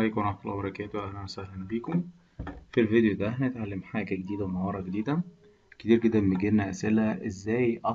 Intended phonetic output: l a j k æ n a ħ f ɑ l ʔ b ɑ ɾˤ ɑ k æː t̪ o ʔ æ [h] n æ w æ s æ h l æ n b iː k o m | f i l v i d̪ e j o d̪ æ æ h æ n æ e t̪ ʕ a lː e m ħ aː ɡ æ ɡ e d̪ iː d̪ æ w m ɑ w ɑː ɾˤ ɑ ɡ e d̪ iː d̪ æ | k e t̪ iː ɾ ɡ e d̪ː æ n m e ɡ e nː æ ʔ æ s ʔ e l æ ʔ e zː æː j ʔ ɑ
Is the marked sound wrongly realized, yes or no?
no